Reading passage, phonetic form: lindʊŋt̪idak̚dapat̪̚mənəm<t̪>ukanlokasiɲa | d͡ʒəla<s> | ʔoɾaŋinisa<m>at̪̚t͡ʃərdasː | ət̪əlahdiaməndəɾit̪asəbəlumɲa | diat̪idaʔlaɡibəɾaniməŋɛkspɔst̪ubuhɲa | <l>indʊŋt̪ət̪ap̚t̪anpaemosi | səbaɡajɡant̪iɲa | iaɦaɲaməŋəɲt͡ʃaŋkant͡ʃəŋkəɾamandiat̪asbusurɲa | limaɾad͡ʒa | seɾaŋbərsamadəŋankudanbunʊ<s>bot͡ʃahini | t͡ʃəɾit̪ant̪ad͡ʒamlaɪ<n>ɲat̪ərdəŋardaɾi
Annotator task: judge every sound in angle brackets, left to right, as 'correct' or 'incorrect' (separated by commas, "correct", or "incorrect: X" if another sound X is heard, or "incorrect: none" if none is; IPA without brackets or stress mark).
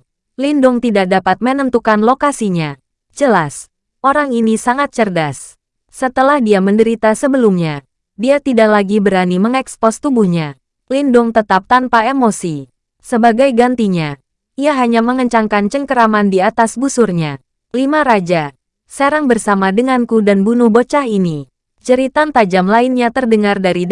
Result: correct, correct, incorrect: ŋ, correct, incorrect: h, correct